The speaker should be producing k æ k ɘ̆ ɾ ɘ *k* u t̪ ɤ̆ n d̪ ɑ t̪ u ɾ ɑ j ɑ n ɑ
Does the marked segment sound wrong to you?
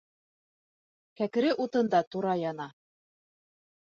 yes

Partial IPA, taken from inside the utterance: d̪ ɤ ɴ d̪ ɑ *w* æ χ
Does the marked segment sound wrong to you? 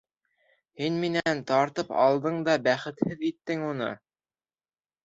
yes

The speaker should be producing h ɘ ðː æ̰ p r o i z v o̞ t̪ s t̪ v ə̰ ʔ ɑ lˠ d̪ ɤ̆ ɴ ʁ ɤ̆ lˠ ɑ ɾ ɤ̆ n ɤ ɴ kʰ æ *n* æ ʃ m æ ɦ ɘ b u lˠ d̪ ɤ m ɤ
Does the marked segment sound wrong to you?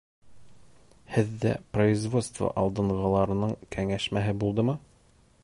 yes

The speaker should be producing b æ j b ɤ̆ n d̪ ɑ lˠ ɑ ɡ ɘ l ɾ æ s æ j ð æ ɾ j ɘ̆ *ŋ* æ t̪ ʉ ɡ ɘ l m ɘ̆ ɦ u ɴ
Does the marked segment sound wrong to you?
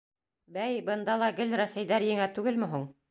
no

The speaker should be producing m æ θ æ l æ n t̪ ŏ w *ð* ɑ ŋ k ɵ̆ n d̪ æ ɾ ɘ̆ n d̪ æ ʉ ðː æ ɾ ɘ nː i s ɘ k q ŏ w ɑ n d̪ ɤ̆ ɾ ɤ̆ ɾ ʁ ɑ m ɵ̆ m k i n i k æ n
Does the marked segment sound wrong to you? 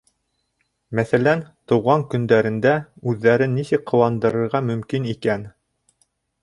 yes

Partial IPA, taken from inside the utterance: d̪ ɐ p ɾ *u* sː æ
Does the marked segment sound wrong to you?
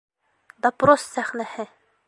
yes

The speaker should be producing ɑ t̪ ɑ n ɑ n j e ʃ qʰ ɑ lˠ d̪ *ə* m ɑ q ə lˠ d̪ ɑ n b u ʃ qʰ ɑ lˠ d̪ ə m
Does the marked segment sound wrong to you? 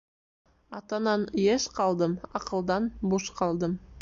no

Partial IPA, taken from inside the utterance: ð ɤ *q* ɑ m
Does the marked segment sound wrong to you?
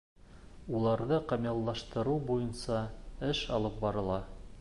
no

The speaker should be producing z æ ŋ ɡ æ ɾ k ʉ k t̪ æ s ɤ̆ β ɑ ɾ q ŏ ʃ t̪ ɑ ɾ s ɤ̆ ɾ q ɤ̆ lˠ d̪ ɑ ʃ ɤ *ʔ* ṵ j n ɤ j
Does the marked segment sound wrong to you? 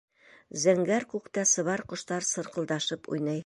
yes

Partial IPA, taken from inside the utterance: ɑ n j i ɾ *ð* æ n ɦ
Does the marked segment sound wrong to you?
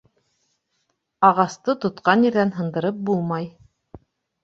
no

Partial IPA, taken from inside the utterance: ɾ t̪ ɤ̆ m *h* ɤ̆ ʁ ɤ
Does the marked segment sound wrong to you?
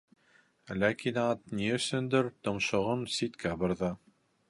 yes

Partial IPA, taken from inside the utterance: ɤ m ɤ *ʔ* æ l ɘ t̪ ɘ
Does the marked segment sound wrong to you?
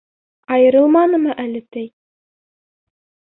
no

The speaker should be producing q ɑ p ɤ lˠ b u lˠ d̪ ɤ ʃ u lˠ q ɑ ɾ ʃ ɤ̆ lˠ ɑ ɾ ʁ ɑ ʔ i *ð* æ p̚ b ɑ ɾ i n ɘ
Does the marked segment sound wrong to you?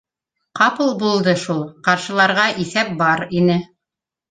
yes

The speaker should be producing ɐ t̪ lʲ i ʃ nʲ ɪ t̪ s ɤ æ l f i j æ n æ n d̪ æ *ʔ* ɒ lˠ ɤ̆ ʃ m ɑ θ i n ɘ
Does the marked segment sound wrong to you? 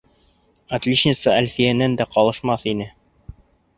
yes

